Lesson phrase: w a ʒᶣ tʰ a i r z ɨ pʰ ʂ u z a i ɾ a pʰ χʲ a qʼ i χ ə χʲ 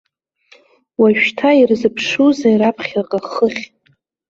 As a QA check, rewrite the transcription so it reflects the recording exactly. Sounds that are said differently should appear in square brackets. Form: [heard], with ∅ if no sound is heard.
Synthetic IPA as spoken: w a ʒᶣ tʰ a i r z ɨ pʰ ʂ u z a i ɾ a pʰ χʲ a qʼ [a] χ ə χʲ